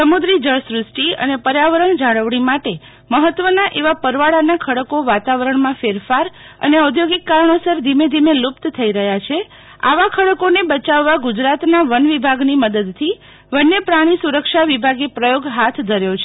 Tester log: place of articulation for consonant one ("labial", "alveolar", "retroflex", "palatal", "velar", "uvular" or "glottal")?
alveolar